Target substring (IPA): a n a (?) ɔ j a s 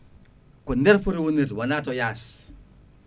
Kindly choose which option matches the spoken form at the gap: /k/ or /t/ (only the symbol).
t